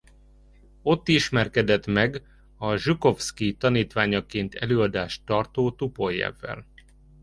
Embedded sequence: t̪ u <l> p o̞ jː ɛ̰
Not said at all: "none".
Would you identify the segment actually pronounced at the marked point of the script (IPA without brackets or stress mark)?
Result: none